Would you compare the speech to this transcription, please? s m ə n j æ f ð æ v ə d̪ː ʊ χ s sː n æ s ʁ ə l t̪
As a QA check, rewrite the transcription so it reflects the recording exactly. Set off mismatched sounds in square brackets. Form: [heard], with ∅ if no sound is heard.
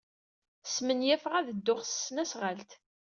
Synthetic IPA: s m ə n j æ f [ʁ] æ [ð] ə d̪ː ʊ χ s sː n æ s ʁ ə l t̪